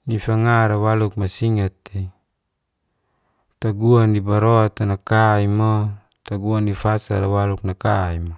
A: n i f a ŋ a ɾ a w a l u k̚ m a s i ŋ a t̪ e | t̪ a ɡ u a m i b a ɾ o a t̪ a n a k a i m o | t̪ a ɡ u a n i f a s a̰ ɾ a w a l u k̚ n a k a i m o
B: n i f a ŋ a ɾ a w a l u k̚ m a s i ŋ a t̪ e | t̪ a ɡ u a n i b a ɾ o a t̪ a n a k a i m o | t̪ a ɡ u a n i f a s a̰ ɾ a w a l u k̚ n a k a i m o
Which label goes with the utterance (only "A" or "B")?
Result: B